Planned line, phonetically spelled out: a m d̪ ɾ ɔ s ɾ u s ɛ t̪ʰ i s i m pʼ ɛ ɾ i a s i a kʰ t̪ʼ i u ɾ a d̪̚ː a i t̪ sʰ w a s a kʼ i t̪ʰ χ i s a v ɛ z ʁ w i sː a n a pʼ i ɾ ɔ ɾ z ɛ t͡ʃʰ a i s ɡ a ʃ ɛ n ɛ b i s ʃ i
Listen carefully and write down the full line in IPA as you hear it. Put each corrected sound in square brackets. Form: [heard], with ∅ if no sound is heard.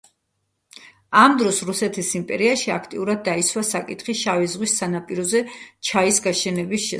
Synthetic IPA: a m d̪ ɾ ɔ s ɾ u s ɛ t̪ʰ i s i m pʼ ɛ ɾ i a [ʃ] i a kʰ t̪ʼ i u ɾ a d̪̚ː a i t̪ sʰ w a s a kʼ i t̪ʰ χ i [ʃ] a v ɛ z ʁ w i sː a n a pʼ i ɾ ɔ [∅] z ɛ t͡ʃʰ a i s ɡ a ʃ ɛ n ɛ b i s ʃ [ɛ]